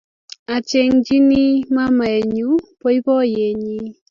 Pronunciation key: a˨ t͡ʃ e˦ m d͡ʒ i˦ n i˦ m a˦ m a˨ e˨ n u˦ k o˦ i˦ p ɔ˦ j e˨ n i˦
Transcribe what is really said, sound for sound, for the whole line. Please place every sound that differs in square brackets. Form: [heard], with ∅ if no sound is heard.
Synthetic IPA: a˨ t͡ʃ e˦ [ŋ] d͡ʒ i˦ n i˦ m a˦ m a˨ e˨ [ɲ] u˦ [p] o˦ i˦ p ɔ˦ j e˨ [ɲ] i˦